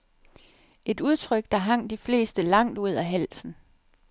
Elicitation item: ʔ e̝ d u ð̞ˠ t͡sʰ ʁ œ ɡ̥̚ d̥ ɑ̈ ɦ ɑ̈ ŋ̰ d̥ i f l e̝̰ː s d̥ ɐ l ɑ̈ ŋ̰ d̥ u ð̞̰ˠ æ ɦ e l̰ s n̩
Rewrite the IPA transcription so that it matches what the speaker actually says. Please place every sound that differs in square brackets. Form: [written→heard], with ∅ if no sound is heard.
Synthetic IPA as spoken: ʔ e̝ d u ð̞ˠ t͡sʰ ʁ œ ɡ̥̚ d̥ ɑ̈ ɦ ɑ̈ ŋ̰ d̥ i f l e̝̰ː s d̥ [ɐ→ə] l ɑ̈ ŋ̰ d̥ u ð̞̰ˠ æ ɦ [e→æ] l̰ s n̩